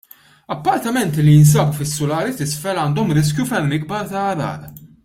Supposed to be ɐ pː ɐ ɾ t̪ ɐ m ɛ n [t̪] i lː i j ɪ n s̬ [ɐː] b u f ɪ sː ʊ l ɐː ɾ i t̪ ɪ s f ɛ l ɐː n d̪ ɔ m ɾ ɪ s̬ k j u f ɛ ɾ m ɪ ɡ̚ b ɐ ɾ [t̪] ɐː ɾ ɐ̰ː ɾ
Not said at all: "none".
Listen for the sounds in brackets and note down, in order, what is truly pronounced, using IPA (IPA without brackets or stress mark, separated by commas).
t̪, ɐː, t̪